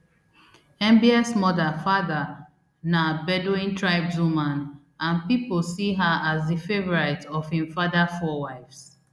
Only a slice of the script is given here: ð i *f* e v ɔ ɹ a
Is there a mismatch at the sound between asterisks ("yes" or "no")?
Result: no